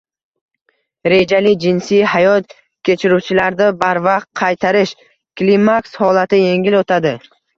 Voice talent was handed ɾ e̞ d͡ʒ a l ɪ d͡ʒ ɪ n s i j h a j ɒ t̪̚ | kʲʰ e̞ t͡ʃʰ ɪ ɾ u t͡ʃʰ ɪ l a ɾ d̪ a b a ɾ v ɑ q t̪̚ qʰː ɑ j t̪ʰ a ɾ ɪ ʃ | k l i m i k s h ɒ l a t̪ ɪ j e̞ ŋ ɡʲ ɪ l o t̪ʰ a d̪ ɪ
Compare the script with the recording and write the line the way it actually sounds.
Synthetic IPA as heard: ɾ e̞ d͡ʒ a l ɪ d͡ʒ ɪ n s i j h a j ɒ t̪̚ | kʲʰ e̞ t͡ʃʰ ɪ ɾ u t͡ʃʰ ɪ l a ɾ d̪ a b a ɾ v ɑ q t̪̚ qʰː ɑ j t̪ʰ a ɾ ɪ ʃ | k l i m a k s h ɒ l a t̪ ɪ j e̞ ŋ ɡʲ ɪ l o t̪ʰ a d̪ ɪ